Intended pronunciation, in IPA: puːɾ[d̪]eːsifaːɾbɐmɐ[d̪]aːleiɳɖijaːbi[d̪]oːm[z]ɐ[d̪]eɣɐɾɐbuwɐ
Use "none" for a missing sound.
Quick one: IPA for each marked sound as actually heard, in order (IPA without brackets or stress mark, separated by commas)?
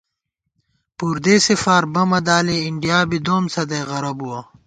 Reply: d̪, d̪, d̪, s, d̪